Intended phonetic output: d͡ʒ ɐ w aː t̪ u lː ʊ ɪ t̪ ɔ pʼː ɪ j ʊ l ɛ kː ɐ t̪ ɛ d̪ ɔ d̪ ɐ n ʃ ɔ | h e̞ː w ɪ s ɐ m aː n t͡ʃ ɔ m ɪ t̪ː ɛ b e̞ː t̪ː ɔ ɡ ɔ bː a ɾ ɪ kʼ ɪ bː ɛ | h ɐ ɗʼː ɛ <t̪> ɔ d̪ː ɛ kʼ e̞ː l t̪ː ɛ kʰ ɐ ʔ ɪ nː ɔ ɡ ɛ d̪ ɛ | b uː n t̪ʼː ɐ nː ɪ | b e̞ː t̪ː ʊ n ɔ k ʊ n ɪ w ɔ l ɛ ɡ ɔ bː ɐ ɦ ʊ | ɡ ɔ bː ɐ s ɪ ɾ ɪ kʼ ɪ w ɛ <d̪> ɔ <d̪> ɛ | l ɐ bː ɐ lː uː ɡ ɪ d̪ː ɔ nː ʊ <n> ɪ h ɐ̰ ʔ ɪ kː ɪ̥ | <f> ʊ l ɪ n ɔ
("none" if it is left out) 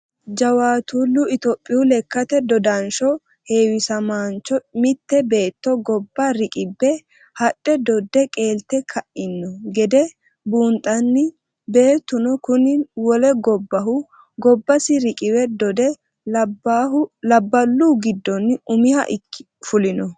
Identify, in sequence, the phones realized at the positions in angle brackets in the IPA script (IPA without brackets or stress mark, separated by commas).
d̪, d̪, d̪, m, f